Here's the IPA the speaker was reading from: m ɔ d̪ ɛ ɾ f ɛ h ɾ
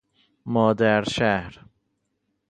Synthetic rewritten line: m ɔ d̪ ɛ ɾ ʃ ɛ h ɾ